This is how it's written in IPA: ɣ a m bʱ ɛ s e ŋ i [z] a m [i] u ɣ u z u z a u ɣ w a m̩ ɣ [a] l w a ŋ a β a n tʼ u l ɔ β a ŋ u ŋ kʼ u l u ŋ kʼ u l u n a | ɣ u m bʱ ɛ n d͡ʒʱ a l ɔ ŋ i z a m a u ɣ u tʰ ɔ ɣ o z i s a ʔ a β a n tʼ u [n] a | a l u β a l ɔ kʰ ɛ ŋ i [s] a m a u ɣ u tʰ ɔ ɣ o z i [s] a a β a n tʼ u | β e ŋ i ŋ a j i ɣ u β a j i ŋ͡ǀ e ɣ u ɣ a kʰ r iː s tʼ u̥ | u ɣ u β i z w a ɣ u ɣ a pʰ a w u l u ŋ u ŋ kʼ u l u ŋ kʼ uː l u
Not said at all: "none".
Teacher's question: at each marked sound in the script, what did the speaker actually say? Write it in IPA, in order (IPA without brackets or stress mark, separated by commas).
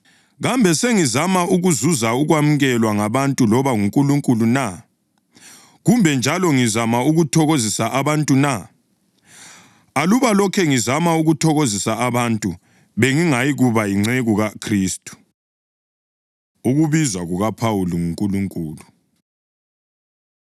z, a, ɛ, n, z, s